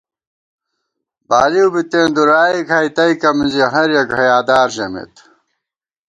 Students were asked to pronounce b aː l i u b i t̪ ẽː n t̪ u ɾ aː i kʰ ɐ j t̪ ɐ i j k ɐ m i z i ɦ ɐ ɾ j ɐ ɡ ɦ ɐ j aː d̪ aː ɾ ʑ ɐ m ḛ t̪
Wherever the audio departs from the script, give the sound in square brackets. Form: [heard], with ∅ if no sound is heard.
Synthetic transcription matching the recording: b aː l i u b i t̪ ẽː n [d̪] u ɾ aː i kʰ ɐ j t̪ ɐ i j k ɐ m i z i ɦ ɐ ɾ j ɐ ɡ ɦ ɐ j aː d̪ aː ɾ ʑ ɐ m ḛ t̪